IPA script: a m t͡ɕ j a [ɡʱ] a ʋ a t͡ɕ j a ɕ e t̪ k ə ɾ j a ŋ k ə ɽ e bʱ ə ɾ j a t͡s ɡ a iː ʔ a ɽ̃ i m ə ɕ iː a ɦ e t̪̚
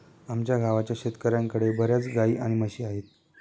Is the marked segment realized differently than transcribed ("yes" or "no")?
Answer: no